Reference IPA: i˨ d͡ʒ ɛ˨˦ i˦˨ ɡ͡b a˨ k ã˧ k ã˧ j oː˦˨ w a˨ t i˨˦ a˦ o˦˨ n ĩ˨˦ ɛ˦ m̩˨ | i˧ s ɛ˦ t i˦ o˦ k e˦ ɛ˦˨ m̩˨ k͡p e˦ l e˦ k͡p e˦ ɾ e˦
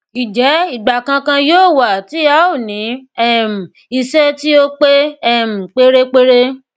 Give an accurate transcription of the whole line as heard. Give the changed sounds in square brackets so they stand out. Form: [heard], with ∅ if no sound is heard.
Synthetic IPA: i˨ d͡ʒ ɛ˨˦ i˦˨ ɡ͡b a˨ k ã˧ k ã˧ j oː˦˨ w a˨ t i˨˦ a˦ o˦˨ n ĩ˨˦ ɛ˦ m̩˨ | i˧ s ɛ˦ t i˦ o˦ [k͡p] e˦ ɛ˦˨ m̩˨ k͡p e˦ [ɾ] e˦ k͡p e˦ ɾ e˦